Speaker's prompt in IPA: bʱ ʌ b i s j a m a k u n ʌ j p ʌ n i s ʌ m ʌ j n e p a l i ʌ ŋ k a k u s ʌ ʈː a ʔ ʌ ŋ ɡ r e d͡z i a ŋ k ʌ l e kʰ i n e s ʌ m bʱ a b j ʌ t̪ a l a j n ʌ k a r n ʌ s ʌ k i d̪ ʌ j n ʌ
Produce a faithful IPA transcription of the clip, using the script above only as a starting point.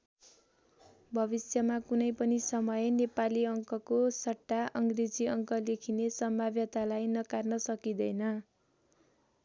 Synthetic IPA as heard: bʱ ʌ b i s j ʌ m a k u n ʌ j p ʌ n i s ʌ m ʌ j n e p a l i ʌ ŋ k ʌ k o s ʌ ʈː a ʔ ʌ ŋ ɡ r e d͡z i ʌ ŋ k ʌ l e kʰ i n e s ʌ m bʱ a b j ʌ t̪ a l a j n ʌ k a r n ʌ s ʌ k i d̪ ʌ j n ʌ